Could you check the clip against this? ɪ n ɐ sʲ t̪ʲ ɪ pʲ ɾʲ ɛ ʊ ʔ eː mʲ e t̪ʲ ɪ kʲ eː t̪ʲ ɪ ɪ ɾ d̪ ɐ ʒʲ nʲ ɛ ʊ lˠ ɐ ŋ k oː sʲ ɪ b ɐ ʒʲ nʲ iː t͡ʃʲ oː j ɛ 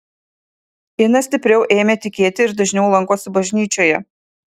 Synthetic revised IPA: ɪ n ɐ sʲ t̪ʲ ɪ pʲ ɾʲ ɛ ʊ ʔ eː mʲ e t̪ʲ ɪ kʲ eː t̪ʲ ɪ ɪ ɾ d̪ ɐ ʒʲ nʲ ɛ ʊ lˠ ɐ ŋ k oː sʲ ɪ b ɐ ʒʲ nʲ iː t͡ʃʲ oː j ɛ